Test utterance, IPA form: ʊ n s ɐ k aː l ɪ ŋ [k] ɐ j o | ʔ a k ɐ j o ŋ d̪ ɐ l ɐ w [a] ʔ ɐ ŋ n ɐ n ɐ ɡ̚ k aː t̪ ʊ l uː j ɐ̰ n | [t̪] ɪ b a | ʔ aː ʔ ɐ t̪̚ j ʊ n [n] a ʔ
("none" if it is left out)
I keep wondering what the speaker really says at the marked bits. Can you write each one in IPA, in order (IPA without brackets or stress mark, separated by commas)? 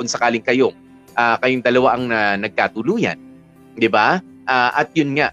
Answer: k, a, d̪, ŋ